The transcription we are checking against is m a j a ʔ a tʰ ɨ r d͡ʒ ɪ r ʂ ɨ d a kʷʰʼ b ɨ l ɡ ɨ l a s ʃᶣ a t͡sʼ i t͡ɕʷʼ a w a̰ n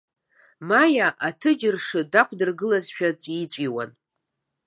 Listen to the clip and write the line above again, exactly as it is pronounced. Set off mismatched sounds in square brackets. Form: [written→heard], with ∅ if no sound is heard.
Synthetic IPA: m a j a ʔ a tʰ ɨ [r→∅] d͡ʒ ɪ r ʂ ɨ d a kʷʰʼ [b→d] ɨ [l→r] ɡ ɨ l a [s→z] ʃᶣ a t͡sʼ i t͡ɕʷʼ [a→i] w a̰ n